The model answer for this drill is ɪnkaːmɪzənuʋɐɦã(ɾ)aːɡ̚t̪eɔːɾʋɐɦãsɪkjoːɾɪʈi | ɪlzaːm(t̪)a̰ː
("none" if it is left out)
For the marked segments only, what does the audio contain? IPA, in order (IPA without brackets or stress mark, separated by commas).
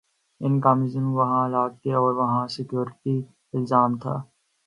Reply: l, t̪ʰ